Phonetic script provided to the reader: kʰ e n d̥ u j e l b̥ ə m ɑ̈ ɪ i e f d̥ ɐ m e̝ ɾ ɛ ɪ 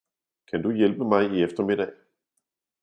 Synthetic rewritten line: kʰ æ n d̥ u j e l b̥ ə m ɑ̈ ɪ i e f d̥ ɐ m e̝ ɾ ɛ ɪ